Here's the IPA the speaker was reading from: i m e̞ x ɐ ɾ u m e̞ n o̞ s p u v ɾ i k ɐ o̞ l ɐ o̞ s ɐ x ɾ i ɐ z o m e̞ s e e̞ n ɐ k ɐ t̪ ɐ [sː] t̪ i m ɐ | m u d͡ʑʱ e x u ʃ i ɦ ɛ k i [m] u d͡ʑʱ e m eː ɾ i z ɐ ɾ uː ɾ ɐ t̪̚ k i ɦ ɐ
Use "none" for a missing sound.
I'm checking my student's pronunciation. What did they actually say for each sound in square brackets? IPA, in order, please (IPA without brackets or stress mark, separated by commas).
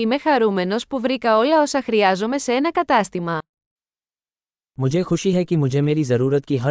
s, m